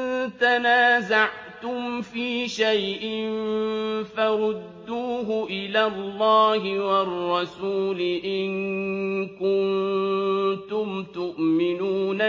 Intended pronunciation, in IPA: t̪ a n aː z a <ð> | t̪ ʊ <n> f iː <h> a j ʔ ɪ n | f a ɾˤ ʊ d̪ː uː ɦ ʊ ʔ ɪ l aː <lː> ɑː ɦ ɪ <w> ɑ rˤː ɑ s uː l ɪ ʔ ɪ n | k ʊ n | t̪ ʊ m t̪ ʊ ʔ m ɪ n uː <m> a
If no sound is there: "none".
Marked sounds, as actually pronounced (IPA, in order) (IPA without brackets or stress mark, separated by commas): ʕ, m, ʃ, lː, w, n